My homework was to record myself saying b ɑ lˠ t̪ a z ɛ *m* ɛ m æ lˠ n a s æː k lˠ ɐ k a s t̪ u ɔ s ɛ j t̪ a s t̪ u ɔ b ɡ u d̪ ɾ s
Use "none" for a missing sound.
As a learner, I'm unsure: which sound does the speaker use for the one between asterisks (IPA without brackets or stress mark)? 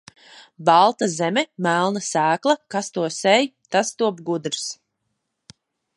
m